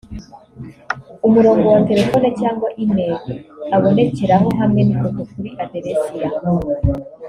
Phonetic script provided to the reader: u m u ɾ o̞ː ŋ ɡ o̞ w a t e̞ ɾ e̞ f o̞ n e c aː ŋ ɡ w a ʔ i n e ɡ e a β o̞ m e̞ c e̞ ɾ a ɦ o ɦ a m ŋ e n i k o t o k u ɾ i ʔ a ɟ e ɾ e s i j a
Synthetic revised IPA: u m u ɾ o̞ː ŋ ɡ o̞ w a t e̞ ɾ e̞ f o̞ n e c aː ŋ ɡ w a ʔ i n e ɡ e a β o̞ n e̞ c e̞ ɾ a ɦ o ɦ a m ŋ e n i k o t o k u ɾ i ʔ a d e ɾ e s i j a